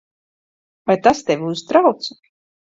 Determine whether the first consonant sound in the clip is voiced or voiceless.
voiced